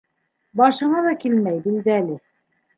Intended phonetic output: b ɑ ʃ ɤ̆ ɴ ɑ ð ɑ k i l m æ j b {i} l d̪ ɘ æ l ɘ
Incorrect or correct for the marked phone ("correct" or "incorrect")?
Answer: correct